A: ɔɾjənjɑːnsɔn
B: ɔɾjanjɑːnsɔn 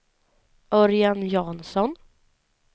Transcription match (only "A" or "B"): B